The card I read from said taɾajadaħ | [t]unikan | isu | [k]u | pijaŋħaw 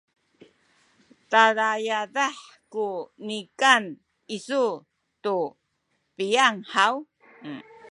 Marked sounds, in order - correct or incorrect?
incorrect: k, incorrect: t

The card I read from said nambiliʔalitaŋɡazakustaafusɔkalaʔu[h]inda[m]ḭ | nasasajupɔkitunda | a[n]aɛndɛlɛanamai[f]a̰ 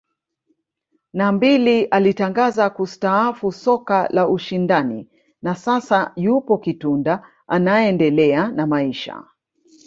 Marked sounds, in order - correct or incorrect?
incorrect: ʃ, incorrect: n, correct, incorrect: ʃ

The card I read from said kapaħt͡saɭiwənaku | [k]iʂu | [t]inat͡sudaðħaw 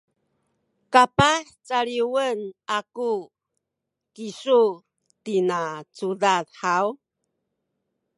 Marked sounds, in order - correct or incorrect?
correct, correct

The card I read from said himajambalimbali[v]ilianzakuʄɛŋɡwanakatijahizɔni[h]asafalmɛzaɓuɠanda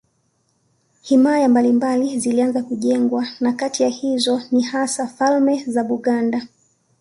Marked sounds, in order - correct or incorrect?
incorrect: z, correct

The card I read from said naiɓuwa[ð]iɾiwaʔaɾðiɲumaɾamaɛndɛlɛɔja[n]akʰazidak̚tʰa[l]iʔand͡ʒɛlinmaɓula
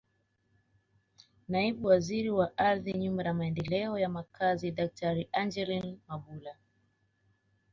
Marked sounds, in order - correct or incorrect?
incorrect: z, incorrect: m, incorrect: ɾ

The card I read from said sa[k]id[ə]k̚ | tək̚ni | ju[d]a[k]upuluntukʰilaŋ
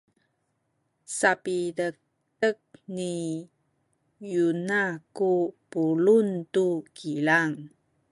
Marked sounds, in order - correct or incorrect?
incorrect: p, correct, incorrect: n, correct

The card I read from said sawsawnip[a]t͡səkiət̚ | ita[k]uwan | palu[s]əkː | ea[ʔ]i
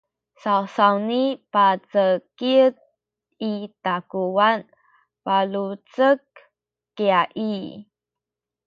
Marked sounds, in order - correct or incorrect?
correct, correct, incorrect: t͡s, correct

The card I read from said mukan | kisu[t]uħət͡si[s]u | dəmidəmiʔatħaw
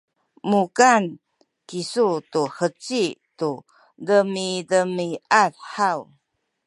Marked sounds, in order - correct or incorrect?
correct, incorrect: t

